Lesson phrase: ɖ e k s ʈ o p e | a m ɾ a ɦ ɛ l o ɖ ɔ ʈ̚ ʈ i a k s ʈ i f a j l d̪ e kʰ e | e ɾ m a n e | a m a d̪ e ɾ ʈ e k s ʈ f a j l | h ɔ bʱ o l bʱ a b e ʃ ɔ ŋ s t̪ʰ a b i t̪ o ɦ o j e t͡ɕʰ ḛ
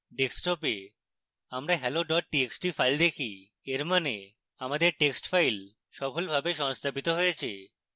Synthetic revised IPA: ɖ e k s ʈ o p e | a m ɾ a ɦ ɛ l o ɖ ɔ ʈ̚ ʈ i e k s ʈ i f a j l d̪ e kʰ i | e ɾ m a n e | a m a d̪ e ɾ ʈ e k s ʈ f a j l | ʃ ɔ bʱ o l bʱ a b e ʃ ɔ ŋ s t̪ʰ a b i t̪ o ɦ o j e t͡ɕʰ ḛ